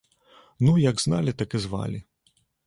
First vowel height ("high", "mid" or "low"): high